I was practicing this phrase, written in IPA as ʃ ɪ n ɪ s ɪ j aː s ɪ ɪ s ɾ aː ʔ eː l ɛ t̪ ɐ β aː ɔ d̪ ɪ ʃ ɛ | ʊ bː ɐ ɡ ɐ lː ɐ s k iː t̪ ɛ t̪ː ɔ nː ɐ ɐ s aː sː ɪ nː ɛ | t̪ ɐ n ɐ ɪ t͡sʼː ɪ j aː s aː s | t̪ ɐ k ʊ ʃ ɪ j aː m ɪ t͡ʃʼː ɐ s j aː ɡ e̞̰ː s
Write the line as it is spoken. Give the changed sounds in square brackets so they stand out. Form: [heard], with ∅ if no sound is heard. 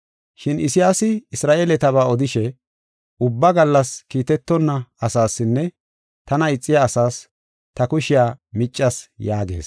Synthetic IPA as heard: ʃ ɪ n ɪ s ɪ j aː s ɪ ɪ s ɾ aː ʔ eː l ɛ t̪ ɐ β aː ɔ d̪ ɪ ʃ ɛ | ʊ bː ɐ ɡ ɐ lː ɐ s k iː t̪ ɛ t̪ː ɔ nː ɐ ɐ s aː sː ɪ nː ɛ | t̪ ɐ n ɐ ɪ t͡sʼː ɪ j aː s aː s | t̪ ɐ k ʊ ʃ ɪ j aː m ɪ t͡ʃʼː ɐ s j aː ɡ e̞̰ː s

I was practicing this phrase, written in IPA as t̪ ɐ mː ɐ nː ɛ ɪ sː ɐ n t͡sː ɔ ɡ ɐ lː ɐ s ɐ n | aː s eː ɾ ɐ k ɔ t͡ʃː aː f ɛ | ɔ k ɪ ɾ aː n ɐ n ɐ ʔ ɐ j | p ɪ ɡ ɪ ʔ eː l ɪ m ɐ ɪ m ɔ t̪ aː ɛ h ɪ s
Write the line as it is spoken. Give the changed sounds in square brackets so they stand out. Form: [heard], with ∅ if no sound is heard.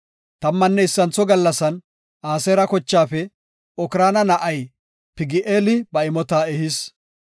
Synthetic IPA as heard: t̪ ɐ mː ɐ nː ɛ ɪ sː ɐ n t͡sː ɔ ɡ ɐ lː ɐ s ɐ n | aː s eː ɾ ɐ k ɔ t͡ʃː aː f ɛ | ɔ k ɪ ɾ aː n ɐ n ɐ ʔ ɐ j | p ɪ ɡ ɪ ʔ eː l ɪ [b] ɐ ɪ m ɔ t̪ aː ɛ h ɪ s

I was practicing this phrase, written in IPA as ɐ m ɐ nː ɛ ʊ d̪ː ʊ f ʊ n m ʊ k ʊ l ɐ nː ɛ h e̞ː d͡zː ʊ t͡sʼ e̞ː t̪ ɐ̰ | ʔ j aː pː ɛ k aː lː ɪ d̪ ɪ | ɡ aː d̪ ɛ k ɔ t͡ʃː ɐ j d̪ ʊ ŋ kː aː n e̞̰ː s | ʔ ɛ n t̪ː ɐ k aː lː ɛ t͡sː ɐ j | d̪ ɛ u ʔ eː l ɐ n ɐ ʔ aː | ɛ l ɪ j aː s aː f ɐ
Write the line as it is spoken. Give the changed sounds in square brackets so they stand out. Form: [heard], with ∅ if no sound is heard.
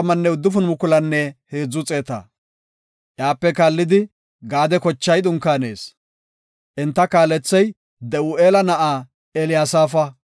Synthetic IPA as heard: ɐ m ɐ nː ɛ ʊ d̪ː ʊ f ʊ n m ʊ k ʊ l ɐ nː ɛ h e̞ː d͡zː ʊ t͡sʼ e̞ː t̪ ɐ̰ | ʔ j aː pː ɛ k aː lː ɪ d̪ ɪ | ɡ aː d̪ ɛ k ɔ t͡ʃː ɐ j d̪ ʊ ŋ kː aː n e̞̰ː s | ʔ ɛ n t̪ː ɐ k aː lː ɛ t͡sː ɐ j | d̪ ɛ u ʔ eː l ɐ n ɐ ʔ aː | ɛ l ɪ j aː s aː f ɐ

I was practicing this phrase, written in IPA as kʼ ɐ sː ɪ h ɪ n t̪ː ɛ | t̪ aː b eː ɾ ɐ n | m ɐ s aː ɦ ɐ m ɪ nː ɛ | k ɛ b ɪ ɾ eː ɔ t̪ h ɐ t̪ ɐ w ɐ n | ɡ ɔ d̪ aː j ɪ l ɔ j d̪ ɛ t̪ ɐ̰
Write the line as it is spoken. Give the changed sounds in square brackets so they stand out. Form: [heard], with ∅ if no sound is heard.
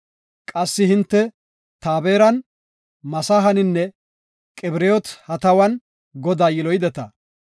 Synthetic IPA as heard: kʼ ɐ sː ɪ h ɪ n t̪ː ɛ | t̪ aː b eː ɾ ɐ n | m ɐ s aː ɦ ɐ [n] ɪ nː ɛ | [kʼ] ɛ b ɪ ɾ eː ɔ t̪ h ɐ t̪ ɐ w ɐ n | ɡ ɔ d̪ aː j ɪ l ɔ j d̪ ɛ t̪ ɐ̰

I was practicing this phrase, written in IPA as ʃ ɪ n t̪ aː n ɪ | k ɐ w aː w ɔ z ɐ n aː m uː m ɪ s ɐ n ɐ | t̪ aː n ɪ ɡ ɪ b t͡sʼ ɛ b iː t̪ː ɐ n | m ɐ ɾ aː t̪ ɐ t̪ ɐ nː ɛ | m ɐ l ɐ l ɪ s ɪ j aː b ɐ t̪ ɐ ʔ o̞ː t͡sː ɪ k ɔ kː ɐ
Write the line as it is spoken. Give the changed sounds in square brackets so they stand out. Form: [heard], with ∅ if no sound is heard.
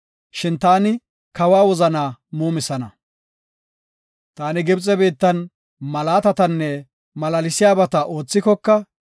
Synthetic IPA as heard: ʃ ɪ n t̪ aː n ɪ | k ɐ w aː w ɔ z ɐ n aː m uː m ɪ s ɐ n ɐ | t̪ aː n ɪ ɡ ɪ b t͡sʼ ɛ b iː t̪ː ɐ n | m ɐ [l] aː t̪ ɐ t̪ ɐ nː ɛ | m ɐ l ɐ l ɪ s ɪ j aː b ɐ t̪ ɐ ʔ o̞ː t͡sː ɪ k ɔ kː ɐ

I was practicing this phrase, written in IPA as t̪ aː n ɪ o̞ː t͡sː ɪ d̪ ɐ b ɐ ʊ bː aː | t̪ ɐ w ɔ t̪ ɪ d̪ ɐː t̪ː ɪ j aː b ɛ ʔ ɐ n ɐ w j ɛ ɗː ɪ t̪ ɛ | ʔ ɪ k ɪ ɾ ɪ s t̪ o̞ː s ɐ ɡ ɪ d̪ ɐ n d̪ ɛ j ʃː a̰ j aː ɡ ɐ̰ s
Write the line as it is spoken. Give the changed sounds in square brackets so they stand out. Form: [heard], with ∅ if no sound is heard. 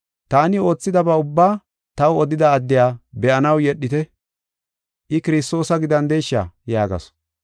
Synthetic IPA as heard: t̪ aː n ɪ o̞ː t͡sː ɪ d̪ ɐ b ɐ ʊ bː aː | t̪ ɐ w ɔ [d̪] ɪ d̪ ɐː [d̪ː] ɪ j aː b ɛ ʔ ɐ n ɐ w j ɛ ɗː ɪ t̪ ɛ | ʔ ɪ k ɪ ɾ ɪ s t̪ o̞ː s ɐ ɡ ɪ d̪ ɐ n d̪ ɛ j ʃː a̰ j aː ɡ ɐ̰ s

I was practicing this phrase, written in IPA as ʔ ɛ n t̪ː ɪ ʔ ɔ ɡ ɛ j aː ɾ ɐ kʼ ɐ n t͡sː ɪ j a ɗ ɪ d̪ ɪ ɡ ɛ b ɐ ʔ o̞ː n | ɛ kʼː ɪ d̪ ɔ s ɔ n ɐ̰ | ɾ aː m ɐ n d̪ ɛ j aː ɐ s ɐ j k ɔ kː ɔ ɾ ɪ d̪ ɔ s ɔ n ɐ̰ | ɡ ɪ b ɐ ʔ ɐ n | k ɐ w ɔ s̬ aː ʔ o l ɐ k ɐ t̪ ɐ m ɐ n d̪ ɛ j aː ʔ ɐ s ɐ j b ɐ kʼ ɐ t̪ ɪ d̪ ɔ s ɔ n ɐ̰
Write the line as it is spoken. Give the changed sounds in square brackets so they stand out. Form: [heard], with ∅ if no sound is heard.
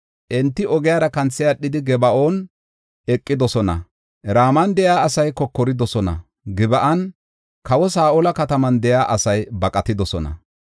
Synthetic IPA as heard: ʔ ɛ n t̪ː ɪ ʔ ɔ ɡ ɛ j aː ɾ ɐ [k] ɐ n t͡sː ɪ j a ɗ ɪ d̪ ɪ ɡ ɛ b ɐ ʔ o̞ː n | ɛ kʼː ɪ d̪ ɔ s ɔ n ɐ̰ | ɾ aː m ɐ n d̪ ɛ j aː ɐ s ɐ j k ɔ kː ɔ ɾ ɪ d̪ ɔ s ɔ n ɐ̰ | ɡ ɪ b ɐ ʔ ɐ n | k ɐ w ɔ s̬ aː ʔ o l ɐ k ɐ t̪ ɐ m ɐ n d̪ ɛ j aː ʔ ɐ s ɐ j b ɐ kʼ ɐ t̪ ɪ d̪ ɔ s ɔ n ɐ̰

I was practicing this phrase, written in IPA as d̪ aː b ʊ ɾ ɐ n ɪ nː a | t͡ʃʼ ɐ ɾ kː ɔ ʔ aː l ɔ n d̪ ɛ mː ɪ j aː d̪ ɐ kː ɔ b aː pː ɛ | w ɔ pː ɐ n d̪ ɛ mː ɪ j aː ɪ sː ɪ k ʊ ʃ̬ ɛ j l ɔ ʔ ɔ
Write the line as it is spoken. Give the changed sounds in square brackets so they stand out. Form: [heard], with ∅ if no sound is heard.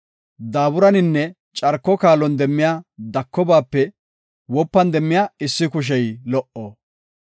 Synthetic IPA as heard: d̪ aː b ʊ ɾ ɐ n ɪ nː [ɛ] | t͡ʃʼ ɐ ɾ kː ɔ [k] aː l ɔ n d̪ ɛ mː ɪ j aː d̪ ɐ kː ɔ b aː pː ɛ | w ɔ pː ɐ n d̪ ɛ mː ɪ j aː ɪ sː ɪ k ʊ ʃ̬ ɛ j l ɔ ʔ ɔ

